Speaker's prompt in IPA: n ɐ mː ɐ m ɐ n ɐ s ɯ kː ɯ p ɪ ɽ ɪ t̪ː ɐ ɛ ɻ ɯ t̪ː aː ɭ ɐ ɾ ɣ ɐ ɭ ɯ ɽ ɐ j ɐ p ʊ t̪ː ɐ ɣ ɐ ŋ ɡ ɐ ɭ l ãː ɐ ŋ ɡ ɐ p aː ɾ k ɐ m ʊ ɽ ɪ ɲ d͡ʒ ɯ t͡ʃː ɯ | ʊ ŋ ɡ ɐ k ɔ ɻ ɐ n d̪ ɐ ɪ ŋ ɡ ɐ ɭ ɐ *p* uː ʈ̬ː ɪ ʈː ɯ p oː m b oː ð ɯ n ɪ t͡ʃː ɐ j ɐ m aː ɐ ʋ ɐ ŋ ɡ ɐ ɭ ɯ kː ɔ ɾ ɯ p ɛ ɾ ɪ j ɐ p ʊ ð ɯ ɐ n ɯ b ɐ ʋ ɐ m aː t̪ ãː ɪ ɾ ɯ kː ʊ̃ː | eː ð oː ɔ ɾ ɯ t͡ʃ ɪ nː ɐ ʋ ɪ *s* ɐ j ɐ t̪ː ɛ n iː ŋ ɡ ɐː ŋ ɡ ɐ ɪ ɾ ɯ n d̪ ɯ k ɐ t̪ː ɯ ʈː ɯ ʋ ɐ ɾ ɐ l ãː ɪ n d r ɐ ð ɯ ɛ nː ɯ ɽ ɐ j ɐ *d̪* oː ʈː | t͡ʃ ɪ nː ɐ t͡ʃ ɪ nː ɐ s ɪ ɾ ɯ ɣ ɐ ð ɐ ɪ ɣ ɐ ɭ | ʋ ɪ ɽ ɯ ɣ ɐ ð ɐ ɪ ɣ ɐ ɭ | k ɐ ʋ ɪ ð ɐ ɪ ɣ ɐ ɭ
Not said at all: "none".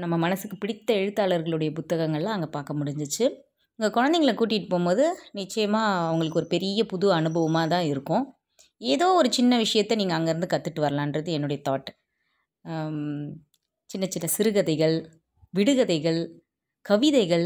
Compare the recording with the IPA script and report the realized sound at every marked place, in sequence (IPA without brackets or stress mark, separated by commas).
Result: k, ʂ, t̪